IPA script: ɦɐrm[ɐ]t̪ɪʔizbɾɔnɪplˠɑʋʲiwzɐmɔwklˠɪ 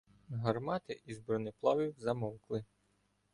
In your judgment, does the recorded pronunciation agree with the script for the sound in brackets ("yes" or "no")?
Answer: no